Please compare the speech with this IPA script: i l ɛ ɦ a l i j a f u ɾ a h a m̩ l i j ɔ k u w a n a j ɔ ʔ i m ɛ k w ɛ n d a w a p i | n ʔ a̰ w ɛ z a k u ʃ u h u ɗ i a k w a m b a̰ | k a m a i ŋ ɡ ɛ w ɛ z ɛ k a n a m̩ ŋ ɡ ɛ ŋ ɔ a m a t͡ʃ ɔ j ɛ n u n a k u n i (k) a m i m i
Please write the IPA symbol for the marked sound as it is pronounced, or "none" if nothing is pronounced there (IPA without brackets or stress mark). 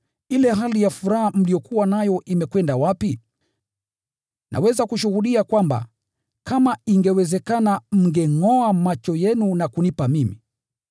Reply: p